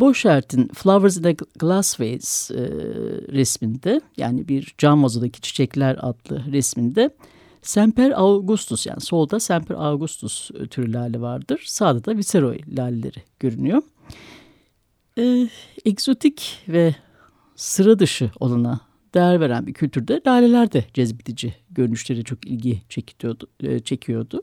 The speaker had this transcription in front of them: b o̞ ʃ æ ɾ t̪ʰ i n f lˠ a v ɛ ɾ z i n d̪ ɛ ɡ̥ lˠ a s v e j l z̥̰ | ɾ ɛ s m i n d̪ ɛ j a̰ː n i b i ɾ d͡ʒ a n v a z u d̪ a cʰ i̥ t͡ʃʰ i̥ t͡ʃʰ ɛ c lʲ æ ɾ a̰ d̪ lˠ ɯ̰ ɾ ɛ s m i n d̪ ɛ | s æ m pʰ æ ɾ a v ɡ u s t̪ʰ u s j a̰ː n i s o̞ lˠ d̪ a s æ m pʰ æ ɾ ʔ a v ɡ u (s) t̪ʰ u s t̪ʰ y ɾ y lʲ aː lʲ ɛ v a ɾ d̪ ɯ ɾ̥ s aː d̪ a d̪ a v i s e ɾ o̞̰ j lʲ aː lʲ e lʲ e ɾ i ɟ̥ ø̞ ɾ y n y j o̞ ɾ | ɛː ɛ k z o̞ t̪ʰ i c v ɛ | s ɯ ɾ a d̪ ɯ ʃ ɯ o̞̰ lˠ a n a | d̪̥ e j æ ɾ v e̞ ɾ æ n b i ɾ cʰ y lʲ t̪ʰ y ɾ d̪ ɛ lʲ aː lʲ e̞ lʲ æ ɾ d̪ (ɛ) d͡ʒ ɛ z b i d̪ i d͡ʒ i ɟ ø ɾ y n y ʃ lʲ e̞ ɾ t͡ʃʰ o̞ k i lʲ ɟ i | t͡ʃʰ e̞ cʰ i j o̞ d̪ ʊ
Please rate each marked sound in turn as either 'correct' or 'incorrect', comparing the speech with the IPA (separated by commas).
correct, correct